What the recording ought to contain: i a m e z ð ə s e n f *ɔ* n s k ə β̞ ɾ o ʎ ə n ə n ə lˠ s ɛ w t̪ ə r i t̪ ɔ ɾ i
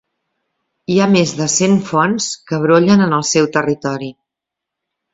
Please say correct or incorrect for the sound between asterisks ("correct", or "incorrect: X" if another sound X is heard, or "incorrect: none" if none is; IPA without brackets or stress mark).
correct